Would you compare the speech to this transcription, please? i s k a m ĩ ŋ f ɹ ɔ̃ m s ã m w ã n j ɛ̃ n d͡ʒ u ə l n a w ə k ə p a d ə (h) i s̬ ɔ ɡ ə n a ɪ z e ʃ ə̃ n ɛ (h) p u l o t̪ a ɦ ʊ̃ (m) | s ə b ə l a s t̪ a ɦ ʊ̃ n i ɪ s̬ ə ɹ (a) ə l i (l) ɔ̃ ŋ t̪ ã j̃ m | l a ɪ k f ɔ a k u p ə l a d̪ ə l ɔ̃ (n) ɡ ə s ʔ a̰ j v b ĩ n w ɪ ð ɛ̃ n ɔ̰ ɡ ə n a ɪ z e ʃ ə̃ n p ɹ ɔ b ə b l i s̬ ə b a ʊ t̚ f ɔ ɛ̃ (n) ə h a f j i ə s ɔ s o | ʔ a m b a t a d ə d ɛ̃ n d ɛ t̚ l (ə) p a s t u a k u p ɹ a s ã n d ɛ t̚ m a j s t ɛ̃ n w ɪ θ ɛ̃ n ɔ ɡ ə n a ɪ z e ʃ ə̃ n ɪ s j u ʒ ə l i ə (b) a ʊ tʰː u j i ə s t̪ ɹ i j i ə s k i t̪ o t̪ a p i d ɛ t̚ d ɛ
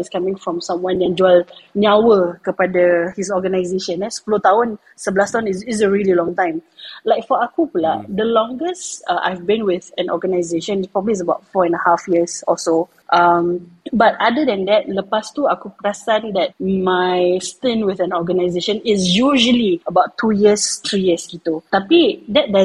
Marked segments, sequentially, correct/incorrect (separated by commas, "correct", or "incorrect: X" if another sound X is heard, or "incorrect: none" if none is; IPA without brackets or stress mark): correct, incorrect: s, incorrect: n, incorrect: i, correct, incorrect: ŋ, correct, correct, correct